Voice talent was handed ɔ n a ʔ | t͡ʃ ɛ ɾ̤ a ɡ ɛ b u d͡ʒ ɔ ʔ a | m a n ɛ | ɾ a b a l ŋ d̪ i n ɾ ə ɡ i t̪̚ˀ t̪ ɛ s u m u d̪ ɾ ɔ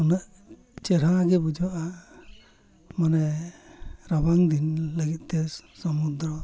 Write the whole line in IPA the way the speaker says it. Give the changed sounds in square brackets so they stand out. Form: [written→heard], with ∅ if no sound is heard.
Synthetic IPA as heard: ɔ n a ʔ | t͡ʃ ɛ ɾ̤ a ɡ ɛ b u d͡ʒ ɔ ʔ a | m a n ɛ | ɾ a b a [l→∅] ŋ d̪ i n [ɾ→l] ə ɡ i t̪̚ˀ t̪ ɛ s [u→ɔ] m u d̪ ɾ ɔ